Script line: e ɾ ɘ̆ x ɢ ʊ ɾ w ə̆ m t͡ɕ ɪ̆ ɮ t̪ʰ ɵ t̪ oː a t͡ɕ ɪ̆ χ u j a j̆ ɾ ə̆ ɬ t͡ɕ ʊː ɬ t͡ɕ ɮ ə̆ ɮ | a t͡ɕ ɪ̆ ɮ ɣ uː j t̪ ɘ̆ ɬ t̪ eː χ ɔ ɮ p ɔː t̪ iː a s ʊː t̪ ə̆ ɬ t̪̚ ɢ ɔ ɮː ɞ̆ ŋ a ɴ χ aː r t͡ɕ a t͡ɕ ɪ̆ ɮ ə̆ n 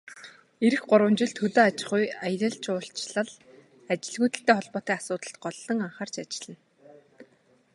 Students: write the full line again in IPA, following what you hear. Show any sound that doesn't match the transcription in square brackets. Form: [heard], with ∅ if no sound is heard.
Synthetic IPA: e ɾ ɘ̆ x ɢ ʊ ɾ w ə̆ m t͡ɕ ɪ̆ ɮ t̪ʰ ɵ t̪ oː a t͡ɕ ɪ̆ χ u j a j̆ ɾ ə̆ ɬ t͡ɕ ʊː ɬ t͡ɕ ɮ ə̆ ɮ | a t͡ɕ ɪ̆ ɮ ɣ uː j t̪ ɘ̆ ɬ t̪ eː χ ɔ ɮ p ɔː t̪ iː a s ʊː t̪ ə̆ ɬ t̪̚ ɢ ɔ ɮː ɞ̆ ŋ a ɴ χ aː r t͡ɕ a t͡ɕ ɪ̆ ɮ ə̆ n